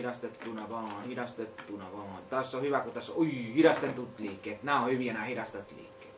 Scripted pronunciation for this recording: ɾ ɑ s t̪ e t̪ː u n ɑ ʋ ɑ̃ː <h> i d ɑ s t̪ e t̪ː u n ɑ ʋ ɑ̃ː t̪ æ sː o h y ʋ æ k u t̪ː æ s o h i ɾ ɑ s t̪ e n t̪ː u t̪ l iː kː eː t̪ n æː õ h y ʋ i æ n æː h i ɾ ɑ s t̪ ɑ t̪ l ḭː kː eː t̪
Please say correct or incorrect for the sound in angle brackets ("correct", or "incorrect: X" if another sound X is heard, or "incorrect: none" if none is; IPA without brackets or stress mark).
correct